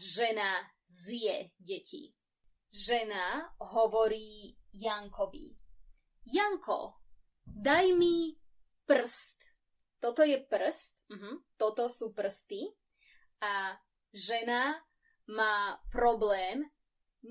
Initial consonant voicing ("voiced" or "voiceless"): voiced